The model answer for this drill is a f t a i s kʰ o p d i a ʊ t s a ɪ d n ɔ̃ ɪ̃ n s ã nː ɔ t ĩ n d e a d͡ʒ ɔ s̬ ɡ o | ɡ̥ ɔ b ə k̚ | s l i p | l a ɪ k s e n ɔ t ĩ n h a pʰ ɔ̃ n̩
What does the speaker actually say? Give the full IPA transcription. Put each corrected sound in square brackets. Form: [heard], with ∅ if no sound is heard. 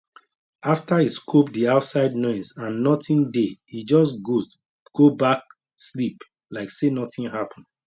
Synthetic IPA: a f t a i s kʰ o p d i a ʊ t s a ɪ d n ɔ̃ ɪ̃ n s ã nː ɔ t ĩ n d e [i] d͡ʒ ɔ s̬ ɡ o | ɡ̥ [o] b [a] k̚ | s l i p | l a ɪ k s e n ɔ t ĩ n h a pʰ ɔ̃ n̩